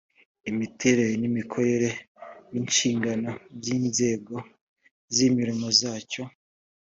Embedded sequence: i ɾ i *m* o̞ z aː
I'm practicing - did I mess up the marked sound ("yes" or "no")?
no